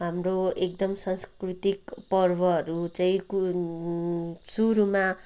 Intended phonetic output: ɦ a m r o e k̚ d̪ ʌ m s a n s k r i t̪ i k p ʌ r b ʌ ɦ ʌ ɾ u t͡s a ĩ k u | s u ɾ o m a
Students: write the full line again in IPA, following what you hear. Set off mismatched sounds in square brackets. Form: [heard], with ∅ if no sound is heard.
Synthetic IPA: ɦ a m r o e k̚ d̪ ʌ m s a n s k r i t̪ i k p ʌ r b ʌ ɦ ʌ ɾ u t͡s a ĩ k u | s u ɾ [u] m a

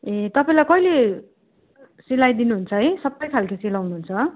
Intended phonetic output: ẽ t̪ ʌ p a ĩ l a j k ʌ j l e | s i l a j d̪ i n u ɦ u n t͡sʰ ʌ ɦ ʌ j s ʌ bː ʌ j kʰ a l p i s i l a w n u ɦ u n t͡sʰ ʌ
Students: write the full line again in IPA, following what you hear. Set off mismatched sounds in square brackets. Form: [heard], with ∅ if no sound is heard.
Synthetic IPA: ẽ t̪ ʌ p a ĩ l a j k ʌ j l e | s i l a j d̪ i n u ɦ u n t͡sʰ ʌ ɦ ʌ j s ʌ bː ʌ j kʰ a l [k] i s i l a w n u ɦ u n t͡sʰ ʌ

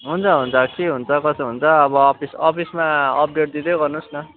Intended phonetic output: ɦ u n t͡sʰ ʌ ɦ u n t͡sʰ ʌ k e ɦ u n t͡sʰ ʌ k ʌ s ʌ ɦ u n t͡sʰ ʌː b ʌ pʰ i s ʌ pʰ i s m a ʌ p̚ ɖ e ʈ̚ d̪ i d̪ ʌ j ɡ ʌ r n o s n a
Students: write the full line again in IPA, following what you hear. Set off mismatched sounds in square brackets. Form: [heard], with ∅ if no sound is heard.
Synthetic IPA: ɦ u n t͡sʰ ʌ ɦ u n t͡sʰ ʌ k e ɦ u n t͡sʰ ʌ k ʌ s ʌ ɦ u n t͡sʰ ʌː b ʌ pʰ i s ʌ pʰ i s m a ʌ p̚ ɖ e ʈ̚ d̪ i d̪ ʌ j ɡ ʌ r n [u] s n [ʌ]

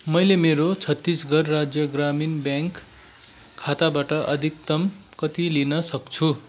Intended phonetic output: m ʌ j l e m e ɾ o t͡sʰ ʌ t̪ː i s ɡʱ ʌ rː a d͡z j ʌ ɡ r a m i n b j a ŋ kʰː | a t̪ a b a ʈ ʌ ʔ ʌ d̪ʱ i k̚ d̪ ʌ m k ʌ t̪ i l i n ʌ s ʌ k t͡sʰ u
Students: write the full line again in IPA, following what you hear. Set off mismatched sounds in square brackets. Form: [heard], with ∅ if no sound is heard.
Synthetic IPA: m ʌ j l e m e ɾ o t͡sʰ ʌ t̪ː i s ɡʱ ʌ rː a d͡z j ʌ ɡ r a m i n b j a ŋ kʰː | a t̪ a b a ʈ ʌ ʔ ʌ d̪ʱ i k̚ [t̪] ʌ m k ʌ t̪ i l i n ʌ s ʌ k t͡sʰ u

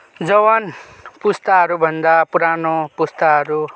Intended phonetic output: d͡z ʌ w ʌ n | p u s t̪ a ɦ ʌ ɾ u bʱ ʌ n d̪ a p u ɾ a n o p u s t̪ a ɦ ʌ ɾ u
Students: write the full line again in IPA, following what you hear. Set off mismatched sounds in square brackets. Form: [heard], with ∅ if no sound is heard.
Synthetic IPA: d͡z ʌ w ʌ n | p u s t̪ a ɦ ʌ ɾ u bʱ ʌ n d̪ a p u ɾ a n o p u s t̪ a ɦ ʌ ɾ u

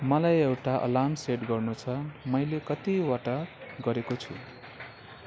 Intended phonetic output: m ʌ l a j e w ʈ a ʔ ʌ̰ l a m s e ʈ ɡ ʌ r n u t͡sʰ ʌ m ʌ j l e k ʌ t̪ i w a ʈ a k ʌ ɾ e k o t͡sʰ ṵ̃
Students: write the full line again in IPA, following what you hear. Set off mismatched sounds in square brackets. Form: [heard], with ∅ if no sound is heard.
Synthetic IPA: m ʌ l a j e w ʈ a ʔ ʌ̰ l a m s e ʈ ɡ ʌ r n u t͡sʰ ʌ m ʌ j l e k ʌ t̪ i w a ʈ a [ɡ] ʌ ɾ e k o t͡sʰ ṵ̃

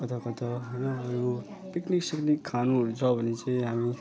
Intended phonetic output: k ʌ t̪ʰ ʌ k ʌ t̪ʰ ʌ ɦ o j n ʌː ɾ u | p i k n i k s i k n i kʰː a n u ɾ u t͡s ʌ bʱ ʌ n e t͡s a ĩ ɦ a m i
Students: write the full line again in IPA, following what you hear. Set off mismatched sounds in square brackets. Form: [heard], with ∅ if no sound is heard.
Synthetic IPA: k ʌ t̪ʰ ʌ k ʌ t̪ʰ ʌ ɦ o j n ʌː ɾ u | p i k n i k s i k n i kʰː a n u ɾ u [t͡sʰ] ʌ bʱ ʌ n e t͡s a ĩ ɦ a m i

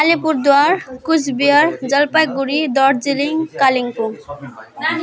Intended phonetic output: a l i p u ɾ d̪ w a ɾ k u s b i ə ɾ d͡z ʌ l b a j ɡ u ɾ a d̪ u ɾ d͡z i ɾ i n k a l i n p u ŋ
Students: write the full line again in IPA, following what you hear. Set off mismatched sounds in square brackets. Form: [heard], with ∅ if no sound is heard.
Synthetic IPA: a l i p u ɾ d̪ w a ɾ k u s b i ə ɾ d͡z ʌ l [p] a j ɡ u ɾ [i] d̪ [ɔ] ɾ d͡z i [l] i [ŋ] k a l i [ŋ] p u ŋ

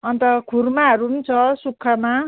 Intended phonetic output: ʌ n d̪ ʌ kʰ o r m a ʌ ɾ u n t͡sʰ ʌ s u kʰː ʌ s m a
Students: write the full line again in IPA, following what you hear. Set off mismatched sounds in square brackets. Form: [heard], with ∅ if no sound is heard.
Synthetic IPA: ʌ n [t̪] ʌ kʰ [u] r m a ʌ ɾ u n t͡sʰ ʌ s u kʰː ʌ [∅] m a

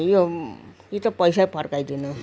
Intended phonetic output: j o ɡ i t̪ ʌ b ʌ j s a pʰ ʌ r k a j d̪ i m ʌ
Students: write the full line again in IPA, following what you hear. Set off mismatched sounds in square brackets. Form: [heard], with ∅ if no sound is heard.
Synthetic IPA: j o [k] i t̪ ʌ [p] ʌ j s a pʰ ʌ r k a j d̪ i [n] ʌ

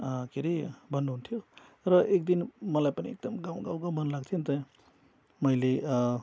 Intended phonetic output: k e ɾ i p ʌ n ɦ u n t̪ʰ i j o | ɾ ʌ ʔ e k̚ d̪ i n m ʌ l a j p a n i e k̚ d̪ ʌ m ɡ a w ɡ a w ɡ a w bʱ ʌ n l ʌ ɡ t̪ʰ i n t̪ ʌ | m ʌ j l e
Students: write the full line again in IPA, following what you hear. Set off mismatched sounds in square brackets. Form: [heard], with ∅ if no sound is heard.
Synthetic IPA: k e ɾ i [b] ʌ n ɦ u n t̪ʰ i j o | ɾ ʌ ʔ e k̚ d̪ i n m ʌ l a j p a n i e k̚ d̪ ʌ m ɡ a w ɡ a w ɡ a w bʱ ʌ n l [a] ɡ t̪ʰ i n t̪ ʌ | m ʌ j l e

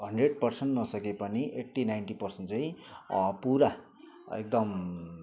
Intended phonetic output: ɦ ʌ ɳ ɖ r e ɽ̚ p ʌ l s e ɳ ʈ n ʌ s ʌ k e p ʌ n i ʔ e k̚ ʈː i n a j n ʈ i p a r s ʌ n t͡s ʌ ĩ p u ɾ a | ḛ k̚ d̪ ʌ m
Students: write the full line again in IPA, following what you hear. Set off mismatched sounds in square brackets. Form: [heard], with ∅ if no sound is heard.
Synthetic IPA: ɦ ʌ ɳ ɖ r e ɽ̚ p ʌ [r] s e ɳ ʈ n ʌ s ʌ k e p ʌ n i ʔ e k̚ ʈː i n a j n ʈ i p [ʌ] r s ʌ n t͡s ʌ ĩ p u ɾ a | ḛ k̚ d̪ ʌ m

